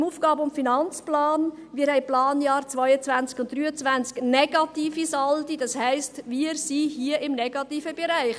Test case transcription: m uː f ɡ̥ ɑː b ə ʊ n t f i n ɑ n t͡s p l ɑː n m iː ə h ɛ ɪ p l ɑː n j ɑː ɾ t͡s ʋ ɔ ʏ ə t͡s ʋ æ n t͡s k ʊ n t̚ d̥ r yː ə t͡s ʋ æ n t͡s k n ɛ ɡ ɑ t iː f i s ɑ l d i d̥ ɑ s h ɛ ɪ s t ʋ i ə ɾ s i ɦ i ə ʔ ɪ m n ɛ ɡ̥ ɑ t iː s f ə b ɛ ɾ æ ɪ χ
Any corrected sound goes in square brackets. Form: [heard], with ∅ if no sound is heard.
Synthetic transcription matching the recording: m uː f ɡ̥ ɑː b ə ʊ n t f i n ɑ n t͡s p l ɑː n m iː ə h ɛ ɪ p l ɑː n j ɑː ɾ t͡s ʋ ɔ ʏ ə t͡s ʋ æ n t͡s k ʊ n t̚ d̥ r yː ə t͡s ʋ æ n t͡s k n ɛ ɡ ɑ t iː f i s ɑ l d i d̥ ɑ s h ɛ ɪ s t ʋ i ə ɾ s i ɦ i ə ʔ ɪ m n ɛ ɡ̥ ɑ t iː [∅] f ə b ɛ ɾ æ ɪ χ